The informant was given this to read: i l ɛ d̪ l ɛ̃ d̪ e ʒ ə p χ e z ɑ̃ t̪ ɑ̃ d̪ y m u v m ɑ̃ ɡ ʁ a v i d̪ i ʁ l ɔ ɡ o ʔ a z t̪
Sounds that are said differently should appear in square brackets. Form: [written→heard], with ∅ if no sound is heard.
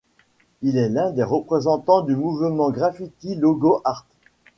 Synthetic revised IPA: i l ɛ [d̪→∅] l ɛ̃ d̪ e [ʒ→ʁ] ə p χ e z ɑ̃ t̪ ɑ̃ d̪ y m u v m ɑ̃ ɡ ʁ a [v→f] i [d̪→t̪] i [ʁ→∅] l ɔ ɡ o ʔ a [z→ʁ] t̪

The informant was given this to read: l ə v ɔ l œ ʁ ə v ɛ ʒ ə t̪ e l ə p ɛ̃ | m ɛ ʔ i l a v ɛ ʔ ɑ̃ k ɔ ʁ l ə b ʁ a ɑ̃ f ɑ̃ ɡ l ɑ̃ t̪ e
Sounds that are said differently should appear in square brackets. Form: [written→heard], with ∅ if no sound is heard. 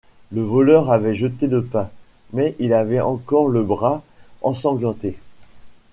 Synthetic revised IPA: l ə v ɔ l œ ʁ [ə→a] v ɛ ʒ ə t̪ e l ə p ɛ̃ | m ɛ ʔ i l a v ɛ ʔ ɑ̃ k ɔ ʁ l ə b ʁ a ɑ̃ [f→s] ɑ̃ ɡ l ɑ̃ t̪ e

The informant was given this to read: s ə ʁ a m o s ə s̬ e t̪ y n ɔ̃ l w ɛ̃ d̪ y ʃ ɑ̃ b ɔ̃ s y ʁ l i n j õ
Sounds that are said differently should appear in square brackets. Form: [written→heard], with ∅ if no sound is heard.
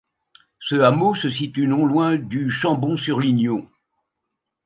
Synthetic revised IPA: s ə [ʁ→∅] a m o s ə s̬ [e→i] t̪ y n ɔ̃ l w ɛ̃ d̪ y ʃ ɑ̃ b ɔ̃ s y ʁ l i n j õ

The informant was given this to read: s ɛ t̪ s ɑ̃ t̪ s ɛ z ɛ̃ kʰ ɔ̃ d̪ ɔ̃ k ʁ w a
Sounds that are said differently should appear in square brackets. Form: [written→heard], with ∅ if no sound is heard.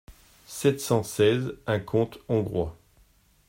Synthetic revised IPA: s ɛ t̪ s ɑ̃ [t̪→∅] s ɛ z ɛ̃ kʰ ɔ̃ [d̪→t̪] ɔ̃ [k→ɡ] ʁ w a

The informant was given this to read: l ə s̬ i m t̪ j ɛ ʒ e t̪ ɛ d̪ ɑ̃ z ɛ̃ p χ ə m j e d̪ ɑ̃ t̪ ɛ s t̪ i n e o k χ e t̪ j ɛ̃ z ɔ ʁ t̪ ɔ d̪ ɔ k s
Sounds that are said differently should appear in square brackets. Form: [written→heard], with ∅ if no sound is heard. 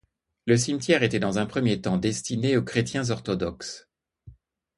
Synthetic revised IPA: l ə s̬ i m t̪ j ɛ [ʒ→ʁ] e t̪ ɛ d̪ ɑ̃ z ɛ̃ p χ ə m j e [d̪→t̪] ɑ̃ [t̪→d̪] ɛ s t̪ i n e o k χ e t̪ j ɛ̃ z ɔ ʁ t̪ ɔ d̪ ɔ k s

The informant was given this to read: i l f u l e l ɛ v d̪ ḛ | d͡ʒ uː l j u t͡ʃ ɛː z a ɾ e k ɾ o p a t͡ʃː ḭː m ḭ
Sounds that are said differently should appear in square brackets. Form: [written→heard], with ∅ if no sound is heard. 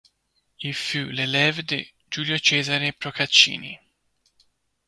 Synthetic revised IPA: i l f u l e l ɛ v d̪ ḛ | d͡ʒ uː l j [u→o] t͡ʃ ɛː z a ɾ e [k→p] ɾ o [p→k] a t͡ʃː ḭː [m→n] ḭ

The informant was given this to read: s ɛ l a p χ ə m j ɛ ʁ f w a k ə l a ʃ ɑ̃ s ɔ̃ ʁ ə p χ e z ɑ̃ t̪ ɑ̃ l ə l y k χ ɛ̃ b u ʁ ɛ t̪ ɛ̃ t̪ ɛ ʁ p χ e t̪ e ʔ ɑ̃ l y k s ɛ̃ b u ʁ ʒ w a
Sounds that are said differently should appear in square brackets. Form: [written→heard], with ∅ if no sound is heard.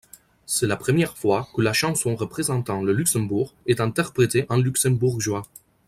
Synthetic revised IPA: s ɛ l a p χ ə m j ɛ ʁ f w a k ə l a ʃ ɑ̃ s ɔ̃ ʁ ə p χ e z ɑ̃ t̪ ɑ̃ l ə l y k [χ→s] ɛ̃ b u ʁ ɛ t̪ ɛ̃ t̪ ɛ ʁ p χ e t̪ e ʔ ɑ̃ l y k s ɛ̃ b u ʁ ʒ w a

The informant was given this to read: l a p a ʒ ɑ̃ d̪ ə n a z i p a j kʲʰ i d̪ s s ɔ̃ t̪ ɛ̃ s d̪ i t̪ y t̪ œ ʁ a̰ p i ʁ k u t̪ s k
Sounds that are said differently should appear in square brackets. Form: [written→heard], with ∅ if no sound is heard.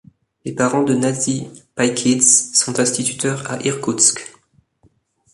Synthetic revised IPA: l [a→e] p a [ʒ→ʁ] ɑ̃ d̪ ə n a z i p a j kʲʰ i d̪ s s ɔ̃ t̪ ɛ̃ s [d̪→t̪] i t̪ y t̪ œ ʁ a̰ [p→ʔ] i ʁ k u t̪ s k

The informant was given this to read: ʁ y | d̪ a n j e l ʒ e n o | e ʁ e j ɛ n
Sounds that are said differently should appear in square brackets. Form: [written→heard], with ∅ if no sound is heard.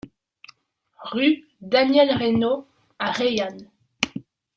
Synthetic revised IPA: ʁ y | d̪ a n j [e→ɛ] l [ʒ→ʁ] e n o | [e→a] ʁ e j [ɛ→a] n

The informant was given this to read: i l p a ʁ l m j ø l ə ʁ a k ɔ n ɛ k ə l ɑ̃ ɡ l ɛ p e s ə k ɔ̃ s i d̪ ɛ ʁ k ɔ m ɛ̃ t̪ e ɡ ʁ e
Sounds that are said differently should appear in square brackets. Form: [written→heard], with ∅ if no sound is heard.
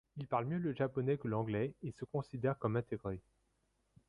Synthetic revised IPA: i l p a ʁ l m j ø l ə [ʁ→ʒ] a [k→p] ɔ n ɛ k ə l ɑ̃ ɡ l ɛ [p→∅] e s ə k ɔ̃ s i d̪ ɛ ʁ k ɔ m ɛ̃ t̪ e ɡ ʁ e

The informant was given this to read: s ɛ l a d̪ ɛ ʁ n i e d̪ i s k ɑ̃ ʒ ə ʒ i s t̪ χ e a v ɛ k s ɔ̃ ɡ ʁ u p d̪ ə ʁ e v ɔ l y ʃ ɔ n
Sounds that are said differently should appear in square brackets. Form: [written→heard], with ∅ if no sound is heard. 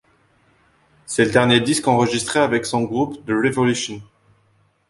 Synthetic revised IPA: s ɛ l [a→ə] d̪ ɛ ʁ n [i→j] e d̪ i s k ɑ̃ [ʒ→ʁ] ə ʒ i s t̪ χ e a v ɛ k s ɔ̃ ɡ ʁ u p d̪ ə ʁ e v ɔ l y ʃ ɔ n

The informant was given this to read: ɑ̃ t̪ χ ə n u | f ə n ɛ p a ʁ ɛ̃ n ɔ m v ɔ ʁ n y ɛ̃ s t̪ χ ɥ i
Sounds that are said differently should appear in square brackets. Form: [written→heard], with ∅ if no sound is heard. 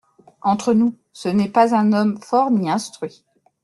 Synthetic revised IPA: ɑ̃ t̪ χ ə n u | [f→s] ə n ɛ p a [ʁ→z] ɛ̃ n ɔ m [v→f] ɔ ʁ n [y→i] ɛ̃ s t̪ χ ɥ i

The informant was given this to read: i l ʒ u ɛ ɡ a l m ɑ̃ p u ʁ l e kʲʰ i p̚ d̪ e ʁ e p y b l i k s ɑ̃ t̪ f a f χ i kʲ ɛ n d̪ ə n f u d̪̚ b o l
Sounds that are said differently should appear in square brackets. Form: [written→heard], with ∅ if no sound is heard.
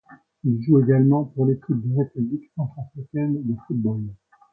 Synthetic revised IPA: i l ʒ u [ɛ→e] ɡ a l m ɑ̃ p u ʁ l e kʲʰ i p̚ d̪ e ʁ e p y b l i k s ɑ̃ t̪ [f→χ] a f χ i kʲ ɛ n d̪ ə [n→∅] f u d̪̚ b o l

